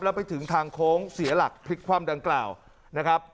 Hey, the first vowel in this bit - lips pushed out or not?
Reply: no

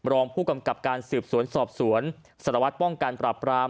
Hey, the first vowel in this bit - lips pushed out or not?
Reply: yes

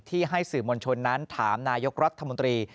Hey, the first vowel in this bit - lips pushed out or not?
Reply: no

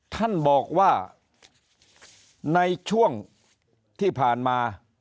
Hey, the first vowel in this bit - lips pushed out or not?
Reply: no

